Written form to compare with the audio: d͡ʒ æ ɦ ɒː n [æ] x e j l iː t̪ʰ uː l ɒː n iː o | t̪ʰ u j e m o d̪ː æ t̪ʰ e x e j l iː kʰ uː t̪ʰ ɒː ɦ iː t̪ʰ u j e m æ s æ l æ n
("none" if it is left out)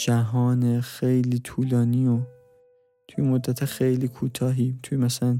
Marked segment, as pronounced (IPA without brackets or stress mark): e